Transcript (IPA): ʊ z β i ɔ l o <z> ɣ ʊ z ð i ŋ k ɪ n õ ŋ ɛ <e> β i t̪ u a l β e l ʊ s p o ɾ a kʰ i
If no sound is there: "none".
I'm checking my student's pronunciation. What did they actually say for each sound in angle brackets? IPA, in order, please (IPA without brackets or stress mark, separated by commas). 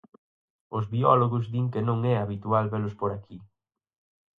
none, a